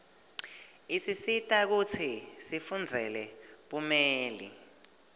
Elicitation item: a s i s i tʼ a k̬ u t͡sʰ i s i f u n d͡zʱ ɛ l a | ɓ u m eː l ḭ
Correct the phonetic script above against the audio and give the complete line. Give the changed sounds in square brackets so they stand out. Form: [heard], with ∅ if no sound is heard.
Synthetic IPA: [i] s i s i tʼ a k̬ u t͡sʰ i s i f u n d͡zʱ ɛ l [ɛ] | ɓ u m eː l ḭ